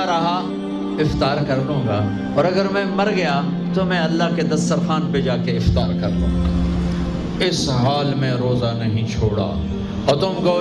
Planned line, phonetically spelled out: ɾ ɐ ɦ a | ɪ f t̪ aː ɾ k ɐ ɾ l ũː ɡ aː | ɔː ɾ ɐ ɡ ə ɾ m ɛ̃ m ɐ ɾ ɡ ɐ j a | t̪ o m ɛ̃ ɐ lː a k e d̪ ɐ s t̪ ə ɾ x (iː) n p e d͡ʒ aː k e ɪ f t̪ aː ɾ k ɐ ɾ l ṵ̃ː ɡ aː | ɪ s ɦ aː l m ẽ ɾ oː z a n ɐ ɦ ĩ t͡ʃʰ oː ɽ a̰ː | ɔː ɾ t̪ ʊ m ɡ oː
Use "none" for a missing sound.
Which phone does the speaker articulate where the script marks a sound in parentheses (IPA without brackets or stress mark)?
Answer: aː